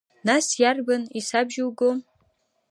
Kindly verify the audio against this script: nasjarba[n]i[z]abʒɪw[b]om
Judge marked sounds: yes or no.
yes, no, no

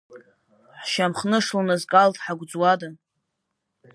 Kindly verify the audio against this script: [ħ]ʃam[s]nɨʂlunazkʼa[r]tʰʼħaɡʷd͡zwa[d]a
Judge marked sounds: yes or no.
yes, no, no, yes

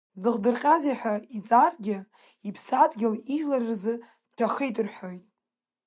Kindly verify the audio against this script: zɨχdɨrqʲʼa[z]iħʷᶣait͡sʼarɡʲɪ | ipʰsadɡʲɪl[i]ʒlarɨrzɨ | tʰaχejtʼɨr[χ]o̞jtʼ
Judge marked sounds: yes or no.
yes, yes, no

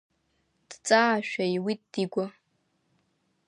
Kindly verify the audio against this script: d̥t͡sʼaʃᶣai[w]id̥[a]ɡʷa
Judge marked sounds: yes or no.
yes, no

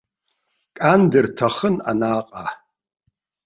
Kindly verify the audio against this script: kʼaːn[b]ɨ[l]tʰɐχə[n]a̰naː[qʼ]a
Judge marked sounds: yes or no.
no, no, yes, yes

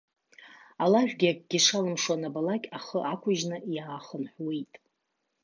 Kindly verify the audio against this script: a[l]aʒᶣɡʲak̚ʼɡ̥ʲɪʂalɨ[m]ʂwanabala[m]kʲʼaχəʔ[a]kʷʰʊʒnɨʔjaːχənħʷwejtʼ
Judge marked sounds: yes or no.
yes, yes, no, yes

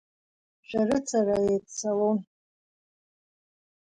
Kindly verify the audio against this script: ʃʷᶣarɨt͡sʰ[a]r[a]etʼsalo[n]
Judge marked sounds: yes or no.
yes, yes, yes

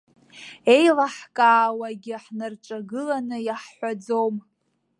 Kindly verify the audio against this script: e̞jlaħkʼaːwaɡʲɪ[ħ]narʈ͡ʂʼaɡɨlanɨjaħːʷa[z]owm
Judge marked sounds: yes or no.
yes, no

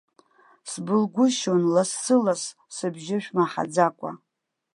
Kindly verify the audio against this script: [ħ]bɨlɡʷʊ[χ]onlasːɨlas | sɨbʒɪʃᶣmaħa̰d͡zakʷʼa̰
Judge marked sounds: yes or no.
no, no

